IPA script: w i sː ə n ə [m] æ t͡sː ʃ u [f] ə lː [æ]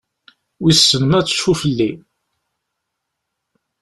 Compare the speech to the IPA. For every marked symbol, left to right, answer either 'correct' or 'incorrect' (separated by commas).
correct, correct, incorrect